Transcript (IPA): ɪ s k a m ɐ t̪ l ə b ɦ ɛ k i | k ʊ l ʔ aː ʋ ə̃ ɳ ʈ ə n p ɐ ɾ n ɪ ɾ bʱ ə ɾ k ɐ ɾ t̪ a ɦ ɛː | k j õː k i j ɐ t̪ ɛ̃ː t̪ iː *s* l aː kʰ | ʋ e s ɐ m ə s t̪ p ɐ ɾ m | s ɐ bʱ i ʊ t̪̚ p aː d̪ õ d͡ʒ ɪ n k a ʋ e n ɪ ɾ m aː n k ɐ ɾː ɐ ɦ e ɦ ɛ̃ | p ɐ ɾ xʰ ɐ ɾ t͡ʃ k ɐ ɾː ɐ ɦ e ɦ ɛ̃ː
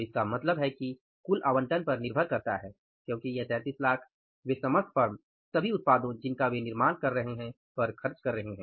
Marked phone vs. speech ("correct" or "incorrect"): correct